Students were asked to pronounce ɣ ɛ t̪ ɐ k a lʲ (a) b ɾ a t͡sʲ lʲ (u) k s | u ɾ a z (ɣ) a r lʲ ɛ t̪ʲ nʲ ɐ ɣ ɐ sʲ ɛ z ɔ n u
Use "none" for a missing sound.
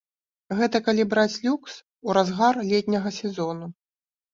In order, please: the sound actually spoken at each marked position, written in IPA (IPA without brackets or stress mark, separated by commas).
i, u, ɣ